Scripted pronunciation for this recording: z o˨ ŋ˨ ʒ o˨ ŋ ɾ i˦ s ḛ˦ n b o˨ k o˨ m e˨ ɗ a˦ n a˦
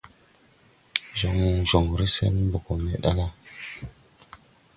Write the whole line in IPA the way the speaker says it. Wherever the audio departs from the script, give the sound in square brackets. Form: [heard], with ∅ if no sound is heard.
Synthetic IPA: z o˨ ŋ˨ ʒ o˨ ŋ ɾ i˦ s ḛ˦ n b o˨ k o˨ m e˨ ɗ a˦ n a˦